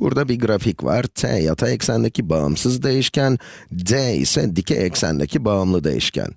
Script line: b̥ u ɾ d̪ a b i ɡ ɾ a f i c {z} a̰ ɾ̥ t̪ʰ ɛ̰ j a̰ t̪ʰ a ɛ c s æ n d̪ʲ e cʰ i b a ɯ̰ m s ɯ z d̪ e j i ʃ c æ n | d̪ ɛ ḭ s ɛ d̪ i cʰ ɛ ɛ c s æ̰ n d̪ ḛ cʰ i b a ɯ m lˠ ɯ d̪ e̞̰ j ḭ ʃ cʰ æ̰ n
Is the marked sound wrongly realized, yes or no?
yes